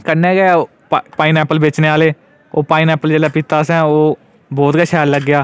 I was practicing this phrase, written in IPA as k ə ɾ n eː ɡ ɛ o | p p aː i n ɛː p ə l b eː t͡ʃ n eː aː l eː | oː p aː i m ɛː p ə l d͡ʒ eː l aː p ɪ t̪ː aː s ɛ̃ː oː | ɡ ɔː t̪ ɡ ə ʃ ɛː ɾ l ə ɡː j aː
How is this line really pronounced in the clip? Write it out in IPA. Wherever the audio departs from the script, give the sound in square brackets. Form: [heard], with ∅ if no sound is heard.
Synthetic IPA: k ə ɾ n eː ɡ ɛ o | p p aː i n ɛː p ə l b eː t͡ʃ n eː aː l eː | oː p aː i [n] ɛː p ə l d͡ʒ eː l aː p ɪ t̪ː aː s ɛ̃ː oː | [b] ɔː t̪ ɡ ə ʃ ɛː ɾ l ə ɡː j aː